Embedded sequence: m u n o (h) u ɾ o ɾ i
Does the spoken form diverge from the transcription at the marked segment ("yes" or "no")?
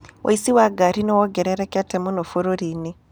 yes